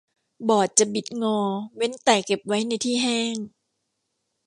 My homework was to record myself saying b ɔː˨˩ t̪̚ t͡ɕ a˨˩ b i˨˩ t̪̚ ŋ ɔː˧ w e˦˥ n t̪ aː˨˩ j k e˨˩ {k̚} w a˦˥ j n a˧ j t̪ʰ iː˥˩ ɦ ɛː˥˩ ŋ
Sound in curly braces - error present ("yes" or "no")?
yes